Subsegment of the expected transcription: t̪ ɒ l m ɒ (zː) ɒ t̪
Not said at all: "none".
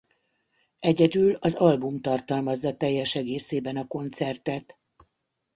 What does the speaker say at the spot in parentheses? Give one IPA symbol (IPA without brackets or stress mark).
zː